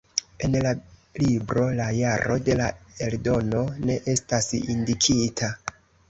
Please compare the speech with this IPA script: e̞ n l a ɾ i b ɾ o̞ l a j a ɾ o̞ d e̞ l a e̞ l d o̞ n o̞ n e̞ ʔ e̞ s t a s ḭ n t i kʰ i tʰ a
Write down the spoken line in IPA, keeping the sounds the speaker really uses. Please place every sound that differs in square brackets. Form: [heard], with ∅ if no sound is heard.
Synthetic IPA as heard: e̞ n l a [l] i b ɾ o̞ l a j a ɾ o̞ d e̞ l a e̞ l d o̞ n o̞ n e̞ ʔ e̞ s t a s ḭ n [d] i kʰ i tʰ a